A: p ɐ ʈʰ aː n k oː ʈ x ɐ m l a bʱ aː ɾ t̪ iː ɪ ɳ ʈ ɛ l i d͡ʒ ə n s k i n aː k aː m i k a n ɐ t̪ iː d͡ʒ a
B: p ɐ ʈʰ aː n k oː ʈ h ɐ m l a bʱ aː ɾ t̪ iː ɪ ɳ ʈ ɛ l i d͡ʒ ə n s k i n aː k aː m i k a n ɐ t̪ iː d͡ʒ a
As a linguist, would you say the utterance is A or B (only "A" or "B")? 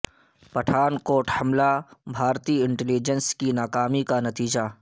B